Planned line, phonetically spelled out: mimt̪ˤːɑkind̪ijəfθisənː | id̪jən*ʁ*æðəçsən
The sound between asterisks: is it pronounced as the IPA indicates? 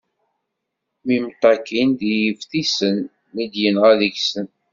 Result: yes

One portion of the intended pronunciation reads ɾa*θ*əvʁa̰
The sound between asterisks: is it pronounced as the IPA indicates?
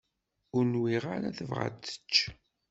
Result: yes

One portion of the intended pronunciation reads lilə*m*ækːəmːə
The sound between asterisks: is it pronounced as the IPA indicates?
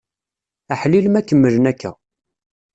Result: yes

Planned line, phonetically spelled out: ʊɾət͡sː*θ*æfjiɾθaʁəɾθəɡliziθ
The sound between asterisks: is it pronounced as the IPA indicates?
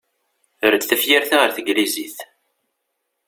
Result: yes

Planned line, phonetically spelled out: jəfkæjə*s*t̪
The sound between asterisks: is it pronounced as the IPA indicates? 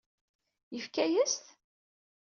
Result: yes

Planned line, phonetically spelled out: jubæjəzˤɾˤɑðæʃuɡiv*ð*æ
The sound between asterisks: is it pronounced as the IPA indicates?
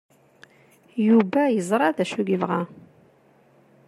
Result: no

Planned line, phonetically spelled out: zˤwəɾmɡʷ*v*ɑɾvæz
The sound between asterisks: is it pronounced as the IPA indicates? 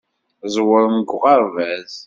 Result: no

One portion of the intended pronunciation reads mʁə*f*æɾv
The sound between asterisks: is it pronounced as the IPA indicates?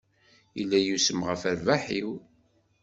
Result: yes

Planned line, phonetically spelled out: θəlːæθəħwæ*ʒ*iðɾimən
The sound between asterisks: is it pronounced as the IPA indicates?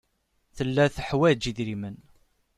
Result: no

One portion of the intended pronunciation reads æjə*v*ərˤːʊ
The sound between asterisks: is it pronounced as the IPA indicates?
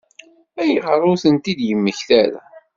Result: no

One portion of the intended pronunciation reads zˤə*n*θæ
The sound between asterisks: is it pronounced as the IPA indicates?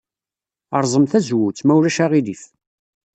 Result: no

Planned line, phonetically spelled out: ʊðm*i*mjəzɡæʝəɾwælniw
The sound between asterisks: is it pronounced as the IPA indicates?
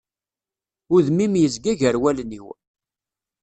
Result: yes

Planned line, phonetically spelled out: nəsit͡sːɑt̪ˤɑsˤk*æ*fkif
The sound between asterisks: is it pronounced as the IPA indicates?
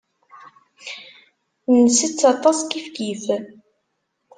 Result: no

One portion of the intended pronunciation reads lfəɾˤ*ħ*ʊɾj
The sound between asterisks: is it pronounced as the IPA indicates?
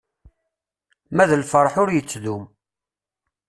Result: yes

